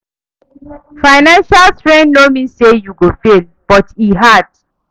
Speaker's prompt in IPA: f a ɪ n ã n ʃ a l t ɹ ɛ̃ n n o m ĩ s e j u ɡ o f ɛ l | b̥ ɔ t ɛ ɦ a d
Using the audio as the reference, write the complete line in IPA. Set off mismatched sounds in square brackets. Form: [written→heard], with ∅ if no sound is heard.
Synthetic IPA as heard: f a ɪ n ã n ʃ a l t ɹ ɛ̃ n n o m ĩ s e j u ɡ o f [ɛ→e] l | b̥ ɔ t [ɛ→i] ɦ a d